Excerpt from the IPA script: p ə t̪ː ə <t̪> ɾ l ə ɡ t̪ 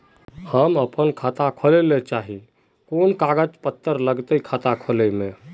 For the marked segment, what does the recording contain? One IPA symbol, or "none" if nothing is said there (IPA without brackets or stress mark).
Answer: none